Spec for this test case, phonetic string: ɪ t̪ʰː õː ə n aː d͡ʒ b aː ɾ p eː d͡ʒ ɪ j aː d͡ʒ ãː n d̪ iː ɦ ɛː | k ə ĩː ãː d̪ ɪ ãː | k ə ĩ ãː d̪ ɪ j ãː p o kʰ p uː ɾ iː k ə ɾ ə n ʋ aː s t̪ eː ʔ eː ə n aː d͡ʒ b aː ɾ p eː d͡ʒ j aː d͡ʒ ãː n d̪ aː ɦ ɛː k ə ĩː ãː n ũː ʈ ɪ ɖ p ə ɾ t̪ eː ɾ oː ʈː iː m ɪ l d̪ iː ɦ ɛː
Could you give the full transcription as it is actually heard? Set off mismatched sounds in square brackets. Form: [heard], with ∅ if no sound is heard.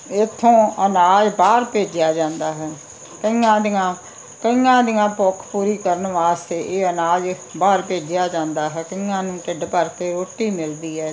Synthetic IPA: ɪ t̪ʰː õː ə n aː d͡ʒ b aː ɾ p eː d͡ʒ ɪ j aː d͡ʒ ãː n d̪ [aː] ɦ ɛː | k ə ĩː ãː d̪ ɪ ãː | k ə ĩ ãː d̪ ɪ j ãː p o kʰ p uː ɾ iː k ə ɾ ə n ʋ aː s t̪ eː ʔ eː ə n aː d͡ʒ b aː ɾ p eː d͡ʒ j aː d͡ʒ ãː n d̪ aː ɦ ɛː k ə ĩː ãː n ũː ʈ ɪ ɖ p ə ɾ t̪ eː ɾ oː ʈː iː m ɪ l d̪ iː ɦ ɛː

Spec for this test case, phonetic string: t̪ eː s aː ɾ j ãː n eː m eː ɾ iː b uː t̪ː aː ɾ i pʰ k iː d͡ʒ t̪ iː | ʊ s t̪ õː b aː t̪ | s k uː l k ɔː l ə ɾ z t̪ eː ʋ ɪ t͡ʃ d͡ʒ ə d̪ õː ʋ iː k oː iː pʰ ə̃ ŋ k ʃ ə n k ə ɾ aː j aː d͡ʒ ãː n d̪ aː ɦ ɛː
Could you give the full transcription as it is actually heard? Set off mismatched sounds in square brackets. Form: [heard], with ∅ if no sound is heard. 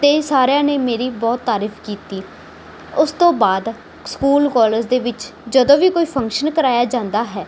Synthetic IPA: t̪ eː s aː ɾ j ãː n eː m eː ɾ iː b [ɔː] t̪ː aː ɾ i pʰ k iː [∅] t̪ iː | ʊ s t̪ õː b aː [d̪] | s k uː l k ɔː l ə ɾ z [d̪] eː ʋ ɪ t͡ʃ d͡ʒ ə d̪ õː ʋ iː k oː iː pʰ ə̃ ŋ k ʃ ə n k ə ɾ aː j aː d͡ʒ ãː n d̪ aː ɦ ɛː

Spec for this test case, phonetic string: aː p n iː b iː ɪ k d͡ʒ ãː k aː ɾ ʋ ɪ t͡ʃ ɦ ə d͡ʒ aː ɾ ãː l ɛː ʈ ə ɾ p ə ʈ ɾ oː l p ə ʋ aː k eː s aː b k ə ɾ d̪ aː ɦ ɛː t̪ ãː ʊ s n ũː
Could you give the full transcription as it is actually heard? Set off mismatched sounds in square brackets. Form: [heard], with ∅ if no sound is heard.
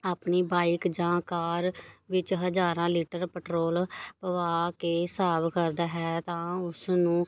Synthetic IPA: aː p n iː b [aː] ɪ k d͡ʒ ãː k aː ɾ ʋ ɪ t͡ʃ ɦ ə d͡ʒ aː ɾ ãː l [iː] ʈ ə ɾ p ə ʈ ɾ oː l p ə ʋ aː k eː s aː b k ə ɾ d̪ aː ɦ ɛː t̪ ãː ʊ s n ũː

